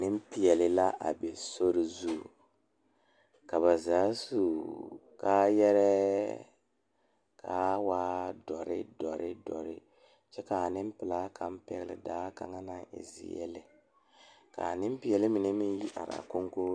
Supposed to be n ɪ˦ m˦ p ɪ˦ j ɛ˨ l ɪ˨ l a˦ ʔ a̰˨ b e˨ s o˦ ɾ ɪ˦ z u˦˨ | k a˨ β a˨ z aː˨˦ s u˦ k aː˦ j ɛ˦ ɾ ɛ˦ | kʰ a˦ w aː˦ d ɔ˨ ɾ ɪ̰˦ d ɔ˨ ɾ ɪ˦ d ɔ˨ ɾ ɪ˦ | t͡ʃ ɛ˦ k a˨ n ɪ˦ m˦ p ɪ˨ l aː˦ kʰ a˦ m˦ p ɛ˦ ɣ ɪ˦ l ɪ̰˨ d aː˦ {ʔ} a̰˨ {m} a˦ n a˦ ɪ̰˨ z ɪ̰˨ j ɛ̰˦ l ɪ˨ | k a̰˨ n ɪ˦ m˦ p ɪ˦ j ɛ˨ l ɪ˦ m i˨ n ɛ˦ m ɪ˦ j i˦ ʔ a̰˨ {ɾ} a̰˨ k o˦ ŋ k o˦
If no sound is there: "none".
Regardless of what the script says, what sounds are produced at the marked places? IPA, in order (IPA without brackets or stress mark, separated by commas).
k, ŋ, ɾ